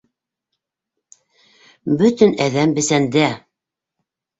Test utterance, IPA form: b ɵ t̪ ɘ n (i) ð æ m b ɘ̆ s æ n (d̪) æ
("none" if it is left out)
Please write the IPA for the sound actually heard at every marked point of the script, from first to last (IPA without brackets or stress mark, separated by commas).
æ, d̪